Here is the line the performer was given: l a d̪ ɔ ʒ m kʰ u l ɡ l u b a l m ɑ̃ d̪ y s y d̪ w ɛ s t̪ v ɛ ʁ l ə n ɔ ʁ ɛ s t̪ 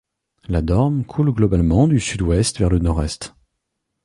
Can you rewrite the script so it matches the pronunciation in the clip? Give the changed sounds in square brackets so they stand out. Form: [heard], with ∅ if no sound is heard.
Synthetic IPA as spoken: l a d̪ ɔ [ʁ] m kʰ u l ɡ l [ɔ] b a l m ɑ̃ d̪ y s y d̪ w ɛ s t̪ v ɛ ʁ l ə n ɔ ʁ ɛ s t̪